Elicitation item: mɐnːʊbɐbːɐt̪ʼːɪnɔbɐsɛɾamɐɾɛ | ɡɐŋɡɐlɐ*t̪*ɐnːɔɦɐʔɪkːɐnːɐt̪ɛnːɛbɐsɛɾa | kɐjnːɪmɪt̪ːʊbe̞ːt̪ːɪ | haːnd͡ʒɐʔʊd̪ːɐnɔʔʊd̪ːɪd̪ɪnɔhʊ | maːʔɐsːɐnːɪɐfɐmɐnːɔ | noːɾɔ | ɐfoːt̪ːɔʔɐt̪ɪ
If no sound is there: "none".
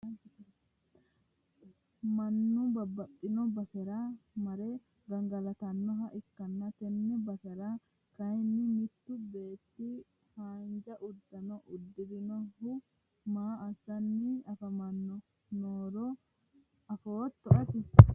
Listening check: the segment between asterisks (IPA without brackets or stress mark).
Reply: t̪